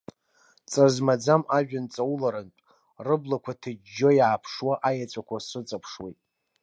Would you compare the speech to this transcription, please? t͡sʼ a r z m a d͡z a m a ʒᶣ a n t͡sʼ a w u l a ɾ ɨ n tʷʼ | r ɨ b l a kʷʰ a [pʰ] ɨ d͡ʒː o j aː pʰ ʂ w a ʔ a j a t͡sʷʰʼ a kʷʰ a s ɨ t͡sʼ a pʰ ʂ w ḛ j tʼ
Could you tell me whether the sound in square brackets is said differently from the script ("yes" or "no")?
yes